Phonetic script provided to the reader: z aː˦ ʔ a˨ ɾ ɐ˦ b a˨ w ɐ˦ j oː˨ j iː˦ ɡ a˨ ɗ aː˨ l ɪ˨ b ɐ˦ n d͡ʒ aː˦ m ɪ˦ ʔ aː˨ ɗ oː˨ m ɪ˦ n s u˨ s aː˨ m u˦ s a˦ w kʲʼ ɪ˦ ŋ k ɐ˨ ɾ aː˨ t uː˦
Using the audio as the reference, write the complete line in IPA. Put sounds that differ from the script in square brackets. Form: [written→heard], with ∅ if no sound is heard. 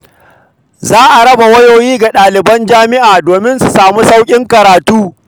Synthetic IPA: z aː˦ ʔ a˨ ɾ ɐ˦ b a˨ w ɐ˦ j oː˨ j iː˦ ɡ a˨ ɗ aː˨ l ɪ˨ b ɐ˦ n d͡ʒ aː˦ m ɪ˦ ʔ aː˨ [ɗ→d] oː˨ m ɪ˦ n s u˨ s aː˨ m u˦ s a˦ w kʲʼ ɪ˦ ŋ k ɐ˨ ɾ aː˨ t uː˦